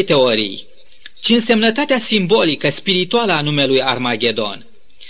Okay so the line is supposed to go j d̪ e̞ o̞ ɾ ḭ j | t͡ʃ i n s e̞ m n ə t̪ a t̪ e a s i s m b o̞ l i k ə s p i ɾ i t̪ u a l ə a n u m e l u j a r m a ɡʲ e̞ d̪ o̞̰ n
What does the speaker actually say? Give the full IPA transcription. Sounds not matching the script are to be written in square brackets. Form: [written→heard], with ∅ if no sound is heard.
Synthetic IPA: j [d̪→t̪] e̞ o̞ ɾ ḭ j | t͡ʃ i n s e̞ m n ə t̪ a t̪ e a s i [s→∅] m b o̞ l i k ə s p i ɾ i t̪ u a l ə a n u m e l u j a r m a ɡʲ e̞ d̪ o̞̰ n